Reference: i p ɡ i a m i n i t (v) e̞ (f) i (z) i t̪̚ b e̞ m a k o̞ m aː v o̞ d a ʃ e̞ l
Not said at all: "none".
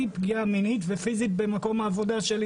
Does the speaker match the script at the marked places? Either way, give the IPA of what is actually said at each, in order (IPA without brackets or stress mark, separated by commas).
v, f, z